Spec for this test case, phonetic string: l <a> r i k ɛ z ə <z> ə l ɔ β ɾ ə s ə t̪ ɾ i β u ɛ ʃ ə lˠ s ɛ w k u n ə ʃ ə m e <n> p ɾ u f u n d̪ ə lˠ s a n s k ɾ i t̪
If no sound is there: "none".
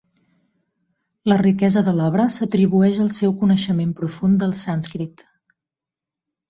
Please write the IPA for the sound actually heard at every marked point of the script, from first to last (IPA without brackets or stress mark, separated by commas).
ə, ð, m